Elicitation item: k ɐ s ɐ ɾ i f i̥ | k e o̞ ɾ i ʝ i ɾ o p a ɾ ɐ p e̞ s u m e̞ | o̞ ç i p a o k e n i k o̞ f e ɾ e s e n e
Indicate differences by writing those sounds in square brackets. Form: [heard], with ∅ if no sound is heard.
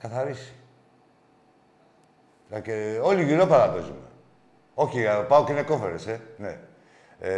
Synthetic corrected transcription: k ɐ [θ] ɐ ɾ i [s] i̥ | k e o̞ [l] i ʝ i ɾ o p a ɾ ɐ p e̞ [z] u m e̞ | o̞ ç i p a o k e n [e] k o̞ f e ɾ e s e n e